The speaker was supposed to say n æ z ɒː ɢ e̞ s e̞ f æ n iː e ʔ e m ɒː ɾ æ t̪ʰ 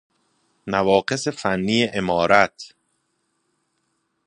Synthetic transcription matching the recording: n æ v ɒː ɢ e̞ s e̞ f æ nː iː e ʔ e m ɒː ɾ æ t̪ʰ

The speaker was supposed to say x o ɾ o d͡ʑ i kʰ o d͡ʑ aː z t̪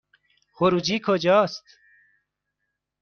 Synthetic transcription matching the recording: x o ɾ u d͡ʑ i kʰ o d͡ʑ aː s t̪

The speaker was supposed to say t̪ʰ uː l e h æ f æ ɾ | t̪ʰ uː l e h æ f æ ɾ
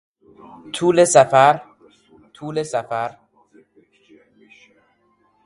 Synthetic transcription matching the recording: t̪ʰ uː l e s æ f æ ɾ | t̪ʰ uː l e s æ f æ ɾ

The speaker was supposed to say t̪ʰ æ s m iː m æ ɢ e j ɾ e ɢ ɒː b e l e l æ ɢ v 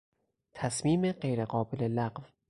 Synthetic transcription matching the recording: t̪ʰ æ s m iː m e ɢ e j ɾ e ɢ ɒː b e l e l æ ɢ v

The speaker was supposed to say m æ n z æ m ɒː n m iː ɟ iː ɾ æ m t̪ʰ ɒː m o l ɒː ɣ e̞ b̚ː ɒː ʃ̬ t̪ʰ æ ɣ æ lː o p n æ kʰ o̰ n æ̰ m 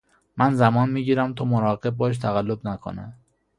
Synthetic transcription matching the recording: m æ n z æ m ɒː n m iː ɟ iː ɾ æ m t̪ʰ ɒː m o ɾ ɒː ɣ e̞ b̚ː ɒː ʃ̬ t̪ʰ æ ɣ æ lː o b n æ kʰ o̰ n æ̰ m

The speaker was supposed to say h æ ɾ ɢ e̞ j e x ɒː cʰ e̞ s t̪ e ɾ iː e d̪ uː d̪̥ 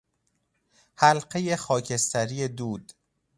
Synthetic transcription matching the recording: h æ l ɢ e̞ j e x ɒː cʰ e̞ s t̪ æ ɾ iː e d̪ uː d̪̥

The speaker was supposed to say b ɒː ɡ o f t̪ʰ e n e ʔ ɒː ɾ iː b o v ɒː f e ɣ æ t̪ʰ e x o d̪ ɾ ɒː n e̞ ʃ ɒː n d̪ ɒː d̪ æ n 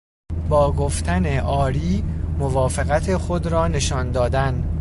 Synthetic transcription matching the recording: b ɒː ɡ o f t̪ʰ æ n e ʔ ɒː ɾ iː m o v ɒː f e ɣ æ t̪ʰ e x o d̪ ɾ ɒː n e̞ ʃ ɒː n d̪ ɒː d̪ æ n

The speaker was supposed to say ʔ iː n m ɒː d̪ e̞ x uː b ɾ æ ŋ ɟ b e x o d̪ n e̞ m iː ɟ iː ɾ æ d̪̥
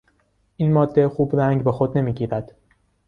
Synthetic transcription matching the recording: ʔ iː n m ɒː d̪ː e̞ x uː b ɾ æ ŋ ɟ b e x o d̪ n e̞ m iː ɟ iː ɾ æ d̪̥

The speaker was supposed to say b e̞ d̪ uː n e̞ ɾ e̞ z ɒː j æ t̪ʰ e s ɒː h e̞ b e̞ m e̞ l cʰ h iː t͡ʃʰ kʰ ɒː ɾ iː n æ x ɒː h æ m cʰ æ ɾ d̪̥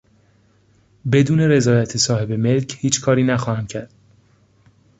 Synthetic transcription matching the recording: b e̞ d̪ uː n e̞ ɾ e̞ z ɒː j æ t̪ʰ e s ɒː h e̞ b e̞ m e̞ l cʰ h iː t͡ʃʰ kʰ ɒː ɾ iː n æ x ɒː h æ m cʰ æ ɾ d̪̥

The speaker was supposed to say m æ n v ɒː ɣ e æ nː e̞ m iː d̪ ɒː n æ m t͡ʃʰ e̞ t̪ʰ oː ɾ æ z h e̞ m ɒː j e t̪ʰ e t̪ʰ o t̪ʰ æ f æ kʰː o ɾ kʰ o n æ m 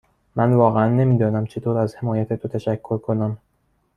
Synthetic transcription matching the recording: m æ n v ɒː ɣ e æ nː e̞ m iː d̪ ɒː n æ m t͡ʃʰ e̞ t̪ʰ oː ɾ æ z h e̞ m ɒː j æ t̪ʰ e t̪ʰ o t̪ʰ æ ʃ æ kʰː o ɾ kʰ o n æ m

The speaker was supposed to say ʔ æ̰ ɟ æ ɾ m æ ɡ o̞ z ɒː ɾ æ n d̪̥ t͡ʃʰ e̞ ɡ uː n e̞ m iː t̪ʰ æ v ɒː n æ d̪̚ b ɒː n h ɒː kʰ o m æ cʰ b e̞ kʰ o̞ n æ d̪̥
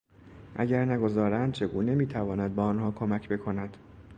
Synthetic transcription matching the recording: ʔ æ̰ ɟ æ ɾ n æ ɡ o̞ z ɒː ɾ æ n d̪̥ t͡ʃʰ e̞ ɡ uː n e̞ m iː t̪ʰ æ v ɒː n æ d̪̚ b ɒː n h ɒː kʰ o m æ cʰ b e̞ kʰ o̞ n æ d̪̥

